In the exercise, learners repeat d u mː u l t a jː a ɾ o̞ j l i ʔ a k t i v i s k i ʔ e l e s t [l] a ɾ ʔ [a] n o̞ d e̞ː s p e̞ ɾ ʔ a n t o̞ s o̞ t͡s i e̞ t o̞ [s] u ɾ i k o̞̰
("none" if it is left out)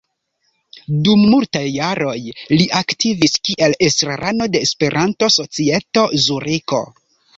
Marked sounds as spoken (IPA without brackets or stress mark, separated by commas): ɾ, a, z